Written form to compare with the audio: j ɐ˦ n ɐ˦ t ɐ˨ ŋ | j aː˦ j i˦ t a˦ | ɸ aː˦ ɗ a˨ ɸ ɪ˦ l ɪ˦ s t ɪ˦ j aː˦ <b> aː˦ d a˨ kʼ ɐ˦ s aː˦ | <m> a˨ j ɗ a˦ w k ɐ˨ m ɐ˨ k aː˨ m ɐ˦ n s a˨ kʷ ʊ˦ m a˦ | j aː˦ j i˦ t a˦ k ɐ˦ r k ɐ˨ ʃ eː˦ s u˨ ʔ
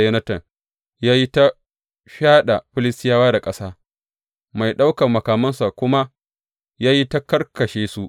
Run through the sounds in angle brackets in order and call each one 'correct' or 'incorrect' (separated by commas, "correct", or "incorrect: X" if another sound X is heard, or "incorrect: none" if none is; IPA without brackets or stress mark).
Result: incorrect: w, correct